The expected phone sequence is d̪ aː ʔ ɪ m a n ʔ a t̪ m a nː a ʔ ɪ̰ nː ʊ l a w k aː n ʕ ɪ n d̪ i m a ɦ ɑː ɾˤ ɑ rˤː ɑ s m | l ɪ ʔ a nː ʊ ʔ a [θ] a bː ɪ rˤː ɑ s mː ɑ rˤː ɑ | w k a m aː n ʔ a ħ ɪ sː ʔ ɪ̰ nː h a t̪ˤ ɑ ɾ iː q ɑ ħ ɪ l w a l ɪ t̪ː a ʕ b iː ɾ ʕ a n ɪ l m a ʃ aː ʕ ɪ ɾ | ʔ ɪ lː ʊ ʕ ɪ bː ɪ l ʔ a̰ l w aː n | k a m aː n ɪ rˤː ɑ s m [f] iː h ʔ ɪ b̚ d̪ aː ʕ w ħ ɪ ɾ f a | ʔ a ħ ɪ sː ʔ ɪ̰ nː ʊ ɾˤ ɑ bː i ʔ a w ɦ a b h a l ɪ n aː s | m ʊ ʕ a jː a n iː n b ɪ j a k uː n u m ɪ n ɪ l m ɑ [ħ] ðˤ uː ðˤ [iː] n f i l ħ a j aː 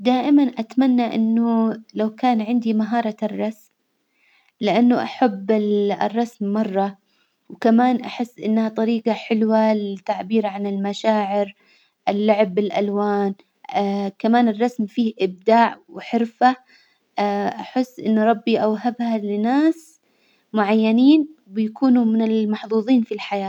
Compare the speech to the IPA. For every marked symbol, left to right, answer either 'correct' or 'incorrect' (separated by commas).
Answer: incorrect, correct, correct, correct